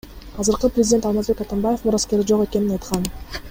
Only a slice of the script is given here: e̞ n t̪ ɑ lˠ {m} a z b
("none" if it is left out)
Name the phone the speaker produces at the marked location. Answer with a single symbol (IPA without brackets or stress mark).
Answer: m